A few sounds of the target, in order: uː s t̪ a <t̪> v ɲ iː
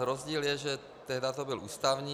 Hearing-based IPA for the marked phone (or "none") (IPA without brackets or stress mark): none